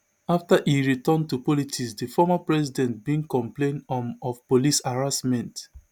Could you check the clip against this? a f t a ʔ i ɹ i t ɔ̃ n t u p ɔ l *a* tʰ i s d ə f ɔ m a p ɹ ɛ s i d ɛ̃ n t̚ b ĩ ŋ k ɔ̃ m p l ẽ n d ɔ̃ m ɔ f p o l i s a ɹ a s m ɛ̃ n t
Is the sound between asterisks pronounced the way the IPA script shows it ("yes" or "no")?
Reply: no